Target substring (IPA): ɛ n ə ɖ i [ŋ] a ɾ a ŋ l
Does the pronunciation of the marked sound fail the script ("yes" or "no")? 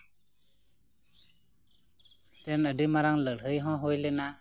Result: yes